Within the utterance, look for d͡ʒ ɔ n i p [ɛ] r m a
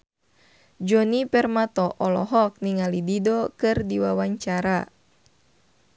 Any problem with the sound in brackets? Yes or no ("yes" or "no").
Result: no